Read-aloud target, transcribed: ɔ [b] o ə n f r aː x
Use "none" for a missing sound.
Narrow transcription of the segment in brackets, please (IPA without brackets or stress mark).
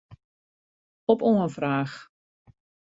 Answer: p